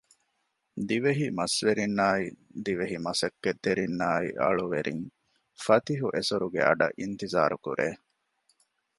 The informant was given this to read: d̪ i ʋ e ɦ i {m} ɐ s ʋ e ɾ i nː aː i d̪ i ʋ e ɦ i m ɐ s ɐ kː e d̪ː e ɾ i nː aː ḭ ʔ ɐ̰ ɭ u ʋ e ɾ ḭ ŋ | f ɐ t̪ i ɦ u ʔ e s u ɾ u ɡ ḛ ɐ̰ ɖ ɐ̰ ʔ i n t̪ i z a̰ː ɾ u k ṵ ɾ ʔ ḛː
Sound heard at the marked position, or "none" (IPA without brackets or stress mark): m